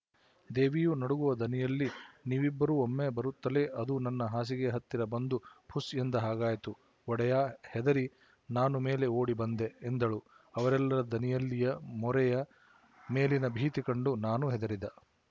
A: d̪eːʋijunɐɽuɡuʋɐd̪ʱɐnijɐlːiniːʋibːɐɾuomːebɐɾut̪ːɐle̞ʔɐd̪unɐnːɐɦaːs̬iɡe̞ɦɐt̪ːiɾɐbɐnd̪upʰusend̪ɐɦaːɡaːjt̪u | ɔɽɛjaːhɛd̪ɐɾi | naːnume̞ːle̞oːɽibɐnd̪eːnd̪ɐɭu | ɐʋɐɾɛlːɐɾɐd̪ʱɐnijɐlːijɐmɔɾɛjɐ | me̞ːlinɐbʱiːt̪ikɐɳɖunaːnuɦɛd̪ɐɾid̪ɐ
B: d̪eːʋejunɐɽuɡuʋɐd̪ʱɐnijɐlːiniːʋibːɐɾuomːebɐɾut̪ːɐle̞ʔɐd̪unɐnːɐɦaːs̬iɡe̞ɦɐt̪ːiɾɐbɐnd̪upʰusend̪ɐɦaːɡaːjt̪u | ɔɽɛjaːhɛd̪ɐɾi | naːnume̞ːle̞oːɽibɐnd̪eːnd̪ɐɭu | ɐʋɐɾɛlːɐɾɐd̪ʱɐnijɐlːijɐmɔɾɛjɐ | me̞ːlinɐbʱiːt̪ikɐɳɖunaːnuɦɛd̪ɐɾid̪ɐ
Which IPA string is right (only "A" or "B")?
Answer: A